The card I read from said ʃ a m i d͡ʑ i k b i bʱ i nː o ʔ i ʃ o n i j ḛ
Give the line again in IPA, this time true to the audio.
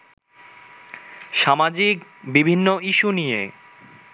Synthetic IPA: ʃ a m a d͡ʑ i k b i bʱ i nː o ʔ i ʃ u n i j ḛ